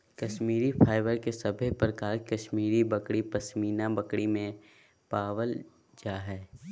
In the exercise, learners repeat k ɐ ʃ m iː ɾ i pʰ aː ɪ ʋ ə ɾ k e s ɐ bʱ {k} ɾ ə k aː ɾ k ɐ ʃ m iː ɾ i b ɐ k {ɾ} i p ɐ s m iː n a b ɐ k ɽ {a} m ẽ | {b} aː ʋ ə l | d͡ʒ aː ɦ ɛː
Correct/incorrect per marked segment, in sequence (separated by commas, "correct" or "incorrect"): incorrect, incorrect, incorrect, incorrect